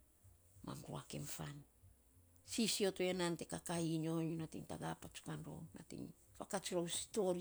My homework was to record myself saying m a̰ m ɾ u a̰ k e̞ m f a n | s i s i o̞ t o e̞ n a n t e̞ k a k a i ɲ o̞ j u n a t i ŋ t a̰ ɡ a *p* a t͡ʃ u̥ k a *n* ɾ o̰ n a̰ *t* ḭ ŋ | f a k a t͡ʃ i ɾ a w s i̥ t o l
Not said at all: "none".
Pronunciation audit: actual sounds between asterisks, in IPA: p, n, t

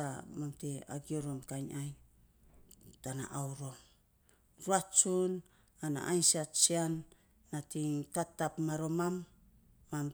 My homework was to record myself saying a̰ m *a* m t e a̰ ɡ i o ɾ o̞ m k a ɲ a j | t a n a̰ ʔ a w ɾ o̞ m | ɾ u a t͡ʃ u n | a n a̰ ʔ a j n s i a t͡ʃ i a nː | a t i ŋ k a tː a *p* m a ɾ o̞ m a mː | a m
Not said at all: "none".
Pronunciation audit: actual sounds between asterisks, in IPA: a, p

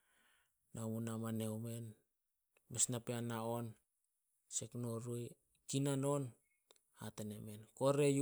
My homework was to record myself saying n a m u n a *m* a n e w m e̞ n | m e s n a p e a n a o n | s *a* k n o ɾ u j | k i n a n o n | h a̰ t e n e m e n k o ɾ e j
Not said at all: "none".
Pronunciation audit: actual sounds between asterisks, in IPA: m, e

